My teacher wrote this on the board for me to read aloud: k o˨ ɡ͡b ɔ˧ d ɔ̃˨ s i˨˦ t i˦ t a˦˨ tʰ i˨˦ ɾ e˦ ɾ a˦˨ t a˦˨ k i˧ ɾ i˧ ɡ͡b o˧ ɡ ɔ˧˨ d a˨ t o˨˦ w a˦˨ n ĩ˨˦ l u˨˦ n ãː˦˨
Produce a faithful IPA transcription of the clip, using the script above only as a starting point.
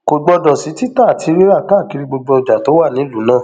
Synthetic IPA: k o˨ ɡ͡b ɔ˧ d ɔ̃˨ s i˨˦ t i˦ t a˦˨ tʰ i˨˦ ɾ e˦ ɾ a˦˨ k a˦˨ k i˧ ɾ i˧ ɡ͡b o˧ ɡ͡b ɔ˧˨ d͡ʒ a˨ t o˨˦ w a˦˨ n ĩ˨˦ l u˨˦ n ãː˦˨